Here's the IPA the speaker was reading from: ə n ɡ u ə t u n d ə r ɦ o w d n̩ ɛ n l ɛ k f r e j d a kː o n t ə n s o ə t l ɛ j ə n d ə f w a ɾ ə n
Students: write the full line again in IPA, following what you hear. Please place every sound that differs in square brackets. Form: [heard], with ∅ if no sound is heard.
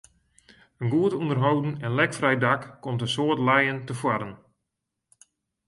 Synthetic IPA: ə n ɡ u ə t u n d ə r ɦ o w d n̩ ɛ n l ɛ k f r [ɛ] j d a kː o [m] t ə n s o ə t l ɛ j ə n [t] ə f w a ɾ ə n